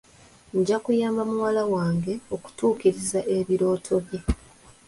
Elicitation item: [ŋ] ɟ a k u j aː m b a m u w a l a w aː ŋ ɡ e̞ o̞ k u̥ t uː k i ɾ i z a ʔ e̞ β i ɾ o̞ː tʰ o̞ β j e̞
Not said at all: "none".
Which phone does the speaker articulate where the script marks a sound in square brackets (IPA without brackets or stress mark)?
ɲ